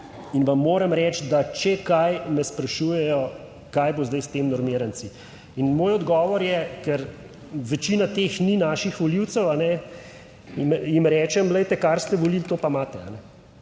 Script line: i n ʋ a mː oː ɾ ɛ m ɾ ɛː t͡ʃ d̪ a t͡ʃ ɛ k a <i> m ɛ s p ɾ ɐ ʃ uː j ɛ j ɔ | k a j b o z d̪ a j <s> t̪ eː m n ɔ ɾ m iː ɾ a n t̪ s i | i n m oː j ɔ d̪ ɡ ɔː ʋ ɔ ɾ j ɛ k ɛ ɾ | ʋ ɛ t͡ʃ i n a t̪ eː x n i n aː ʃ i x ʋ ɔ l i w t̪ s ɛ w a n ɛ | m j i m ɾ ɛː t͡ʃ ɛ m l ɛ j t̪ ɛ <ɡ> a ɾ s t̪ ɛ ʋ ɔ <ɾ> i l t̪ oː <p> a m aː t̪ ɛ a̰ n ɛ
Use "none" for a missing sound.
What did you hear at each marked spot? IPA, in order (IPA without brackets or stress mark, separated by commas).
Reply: j, s, k, l, p